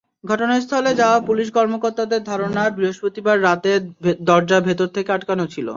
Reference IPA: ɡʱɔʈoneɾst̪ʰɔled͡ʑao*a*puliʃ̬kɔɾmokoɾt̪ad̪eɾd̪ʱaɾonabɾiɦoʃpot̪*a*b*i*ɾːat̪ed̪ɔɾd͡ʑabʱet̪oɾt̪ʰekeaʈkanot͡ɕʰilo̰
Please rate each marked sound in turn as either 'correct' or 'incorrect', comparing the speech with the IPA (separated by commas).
correct, incorrect, incorrect